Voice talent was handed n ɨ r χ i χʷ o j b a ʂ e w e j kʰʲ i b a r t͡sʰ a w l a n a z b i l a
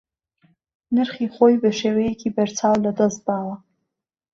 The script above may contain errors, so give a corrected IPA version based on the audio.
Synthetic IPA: n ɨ r χ i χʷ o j b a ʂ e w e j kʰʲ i b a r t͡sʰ a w l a d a z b a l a